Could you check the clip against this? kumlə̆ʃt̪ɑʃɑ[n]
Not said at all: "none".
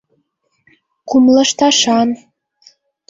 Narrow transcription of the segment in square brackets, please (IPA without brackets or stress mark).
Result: n